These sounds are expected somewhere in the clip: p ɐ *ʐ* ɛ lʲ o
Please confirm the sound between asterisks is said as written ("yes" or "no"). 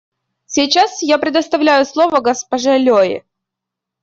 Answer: yes